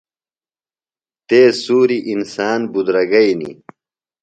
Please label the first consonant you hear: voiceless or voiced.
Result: voiceless